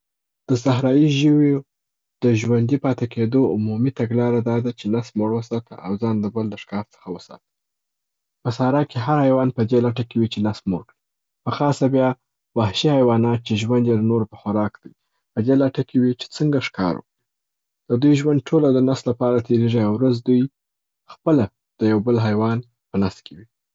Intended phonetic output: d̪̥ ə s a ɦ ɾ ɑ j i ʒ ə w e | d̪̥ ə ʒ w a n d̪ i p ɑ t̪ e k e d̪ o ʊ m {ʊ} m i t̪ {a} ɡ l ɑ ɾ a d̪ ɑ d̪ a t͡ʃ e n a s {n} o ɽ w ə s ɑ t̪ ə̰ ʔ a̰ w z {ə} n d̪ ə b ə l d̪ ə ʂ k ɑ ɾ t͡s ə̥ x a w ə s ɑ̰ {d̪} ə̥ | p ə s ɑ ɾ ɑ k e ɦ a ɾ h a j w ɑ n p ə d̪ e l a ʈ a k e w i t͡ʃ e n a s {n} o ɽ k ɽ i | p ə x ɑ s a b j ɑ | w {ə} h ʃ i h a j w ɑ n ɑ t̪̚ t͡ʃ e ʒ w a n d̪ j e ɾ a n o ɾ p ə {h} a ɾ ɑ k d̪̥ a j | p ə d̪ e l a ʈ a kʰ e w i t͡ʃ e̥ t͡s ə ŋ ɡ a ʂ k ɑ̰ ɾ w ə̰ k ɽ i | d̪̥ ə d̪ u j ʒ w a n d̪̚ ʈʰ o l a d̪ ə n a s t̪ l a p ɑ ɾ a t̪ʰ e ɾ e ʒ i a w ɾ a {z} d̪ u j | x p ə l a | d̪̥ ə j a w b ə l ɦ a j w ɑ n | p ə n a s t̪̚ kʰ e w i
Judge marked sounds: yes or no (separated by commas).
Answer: no, yes, no, no, no, no, no, no, yes